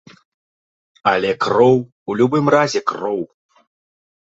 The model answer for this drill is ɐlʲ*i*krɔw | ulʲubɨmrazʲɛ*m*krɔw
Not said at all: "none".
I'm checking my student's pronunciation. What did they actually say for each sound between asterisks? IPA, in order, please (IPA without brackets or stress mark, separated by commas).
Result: ɛ, none